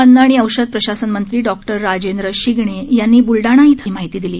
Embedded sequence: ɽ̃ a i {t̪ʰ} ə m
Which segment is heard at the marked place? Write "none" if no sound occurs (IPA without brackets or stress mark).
t̪ʰ